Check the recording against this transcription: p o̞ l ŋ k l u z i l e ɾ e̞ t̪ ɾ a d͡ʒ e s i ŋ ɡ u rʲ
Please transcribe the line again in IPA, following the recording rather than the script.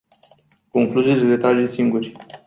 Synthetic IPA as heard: k o̞ ŋ k l u z i l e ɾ e̞ t̪ ɾ a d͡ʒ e s i ŋ ɡ u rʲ